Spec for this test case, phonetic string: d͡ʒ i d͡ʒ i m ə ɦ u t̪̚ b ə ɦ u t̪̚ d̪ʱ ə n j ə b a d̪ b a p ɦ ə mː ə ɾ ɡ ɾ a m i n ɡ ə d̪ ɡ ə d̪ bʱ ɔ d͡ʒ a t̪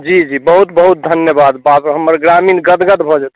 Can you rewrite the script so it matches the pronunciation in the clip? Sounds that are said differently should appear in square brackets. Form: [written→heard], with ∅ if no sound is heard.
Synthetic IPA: d͡ʒ i d͡ʒ i [m→b] ə ɦ u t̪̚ b ə ɦ u t̪̚ d̪ʱ ə n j ə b a d̪ b a p ɦ ə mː ə ɾ ɡ ɾ a m i n ɡ ə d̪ ɡ ə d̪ bʱ ɔ d͡ʒ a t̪